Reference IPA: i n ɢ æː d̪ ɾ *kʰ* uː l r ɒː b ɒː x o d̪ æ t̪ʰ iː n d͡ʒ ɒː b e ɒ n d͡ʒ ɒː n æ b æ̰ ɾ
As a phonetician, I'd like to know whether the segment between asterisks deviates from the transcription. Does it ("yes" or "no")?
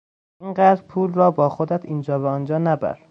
yes